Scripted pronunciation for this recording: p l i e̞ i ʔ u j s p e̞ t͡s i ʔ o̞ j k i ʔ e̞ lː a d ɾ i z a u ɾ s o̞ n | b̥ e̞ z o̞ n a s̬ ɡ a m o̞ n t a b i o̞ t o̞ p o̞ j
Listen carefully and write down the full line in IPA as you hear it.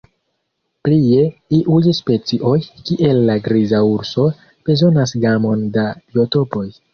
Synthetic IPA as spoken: p l i e̞ i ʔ u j s p e̞ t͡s i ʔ o̞ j k i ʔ e̞ lː a ɡ ɾ i z a u ɾ s o̞ | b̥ e̞ z o̞ n a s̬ ɡ a m o̞ n d a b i o̞ t o̞ p o̞ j

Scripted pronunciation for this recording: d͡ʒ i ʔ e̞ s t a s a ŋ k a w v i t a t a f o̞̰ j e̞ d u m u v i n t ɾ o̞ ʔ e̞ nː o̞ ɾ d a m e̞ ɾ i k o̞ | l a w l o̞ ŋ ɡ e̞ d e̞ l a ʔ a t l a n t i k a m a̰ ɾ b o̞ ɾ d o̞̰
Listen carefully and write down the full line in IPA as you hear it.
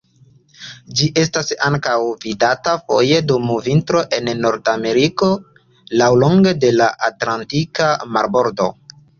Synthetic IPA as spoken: d͡ʒ i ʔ e̞ s t a s a ŋ k a w v i d a t a f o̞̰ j e̞ d u m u v i n t ɾ o̞ ʔ e̞ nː o̞ ɾ d a m e̞ ɾ i k o̞ | l a w l o̞ ŋ ɡ e̞ d e̞ l a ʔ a t l a n t i k a m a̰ ɾ b o̞ ɾ d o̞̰

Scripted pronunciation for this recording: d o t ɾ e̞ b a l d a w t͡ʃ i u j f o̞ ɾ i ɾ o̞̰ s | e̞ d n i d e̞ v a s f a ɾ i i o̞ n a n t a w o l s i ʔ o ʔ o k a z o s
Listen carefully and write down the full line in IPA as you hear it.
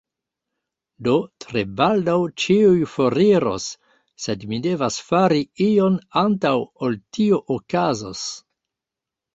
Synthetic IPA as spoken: d o t ɾ e̞ b a l d a w t͡ʃ i u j f o̞ ɾ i ɾ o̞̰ sː | e̞ d m i d e̞ v a s f a ɾ i i o̞ n a n t a w o l t i o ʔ o k a z o s

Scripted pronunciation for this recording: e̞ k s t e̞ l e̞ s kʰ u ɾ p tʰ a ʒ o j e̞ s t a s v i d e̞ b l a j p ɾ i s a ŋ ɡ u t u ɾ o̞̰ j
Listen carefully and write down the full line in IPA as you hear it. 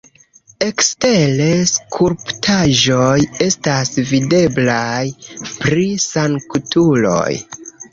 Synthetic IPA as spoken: e̞ k s t e̞ l e̞ s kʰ u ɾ p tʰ a ʒ o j e̞ s t a s v i d e̞ b l a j p ɾ i s a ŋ k u t u l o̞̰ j

